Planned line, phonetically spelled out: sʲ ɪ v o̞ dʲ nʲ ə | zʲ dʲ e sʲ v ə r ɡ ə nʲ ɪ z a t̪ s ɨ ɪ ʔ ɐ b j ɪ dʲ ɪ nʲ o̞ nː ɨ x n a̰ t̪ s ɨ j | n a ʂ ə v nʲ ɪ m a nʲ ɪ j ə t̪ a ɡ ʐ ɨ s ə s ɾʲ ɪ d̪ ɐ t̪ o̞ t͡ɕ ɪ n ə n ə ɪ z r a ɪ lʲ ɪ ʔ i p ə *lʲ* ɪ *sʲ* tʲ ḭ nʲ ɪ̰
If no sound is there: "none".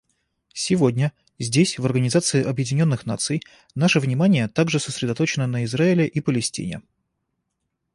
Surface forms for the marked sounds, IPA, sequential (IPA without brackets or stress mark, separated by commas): lʲ, sʲ